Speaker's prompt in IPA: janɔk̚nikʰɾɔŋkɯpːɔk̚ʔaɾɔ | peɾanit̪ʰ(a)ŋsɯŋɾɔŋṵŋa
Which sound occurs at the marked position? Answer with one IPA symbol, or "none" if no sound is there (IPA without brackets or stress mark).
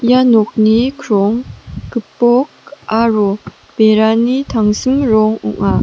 a